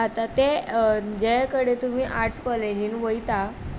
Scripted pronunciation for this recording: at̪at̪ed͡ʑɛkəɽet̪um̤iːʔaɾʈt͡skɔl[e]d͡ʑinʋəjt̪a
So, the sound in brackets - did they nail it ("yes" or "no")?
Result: yes